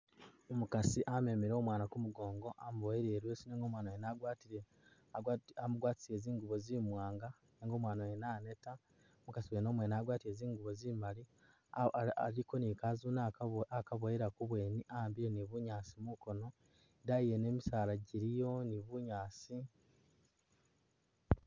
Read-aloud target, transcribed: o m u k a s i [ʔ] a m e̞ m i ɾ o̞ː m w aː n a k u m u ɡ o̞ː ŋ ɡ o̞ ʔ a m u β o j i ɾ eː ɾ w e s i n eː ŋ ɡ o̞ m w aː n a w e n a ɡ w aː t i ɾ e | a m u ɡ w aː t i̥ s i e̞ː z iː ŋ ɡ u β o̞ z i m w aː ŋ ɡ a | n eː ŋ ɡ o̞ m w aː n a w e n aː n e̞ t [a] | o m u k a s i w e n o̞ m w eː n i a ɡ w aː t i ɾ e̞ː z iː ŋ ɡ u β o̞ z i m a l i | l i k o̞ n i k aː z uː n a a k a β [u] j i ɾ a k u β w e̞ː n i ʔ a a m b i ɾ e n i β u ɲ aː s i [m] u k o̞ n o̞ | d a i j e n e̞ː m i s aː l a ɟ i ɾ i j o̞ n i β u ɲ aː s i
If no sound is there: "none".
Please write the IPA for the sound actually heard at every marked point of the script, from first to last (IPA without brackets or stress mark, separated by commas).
ʔ, a, o, m